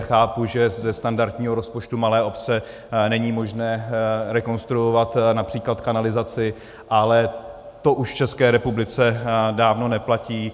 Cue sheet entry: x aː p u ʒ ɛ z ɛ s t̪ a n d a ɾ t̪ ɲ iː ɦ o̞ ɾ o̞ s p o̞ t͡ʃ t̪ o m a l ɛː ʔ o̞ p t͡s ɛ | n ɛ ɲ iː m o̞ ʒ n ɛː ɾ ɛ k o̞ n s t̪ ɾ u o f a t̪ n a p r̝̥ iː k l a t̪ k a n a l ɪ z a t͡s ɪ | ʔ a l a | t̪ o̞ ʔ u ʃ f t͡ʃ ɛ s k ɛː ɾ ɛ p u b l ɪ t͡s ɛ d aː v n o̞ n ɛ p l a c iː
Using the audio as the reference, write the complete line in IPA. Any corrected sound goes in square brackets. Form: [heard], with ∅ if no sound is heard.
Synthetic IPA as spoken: x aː p u ʒ ɛ z ɛ s t̪ a n d a ɾ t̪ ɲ iː ɦ o̞ ɾ o̞ s p o̞ t͡ʃ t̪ [u] m a l ɛː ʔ o̞ p t͡s ɛ | n ɛ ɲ iː m o̞ ʒ n ɛː ɾ ɛ k o̞ n s t̪ ɾ u o [v] a t̪ n a p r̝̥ iː k l a t̪ k a n a l ɪ z a t͡s ɪ | ʔ a l [ɛ] | t̪ o̞ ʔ u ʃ f t͡ʃ ɛ s k ɛː ɾ ɛ p u b l ɪ t͡s ɛ d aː v n o̞ n ɛ p l a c iː